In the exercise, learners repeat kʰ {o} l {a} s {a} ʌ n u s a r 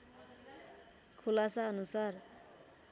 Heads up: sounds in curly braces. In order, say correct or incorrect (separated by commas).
incorrect, correct, correct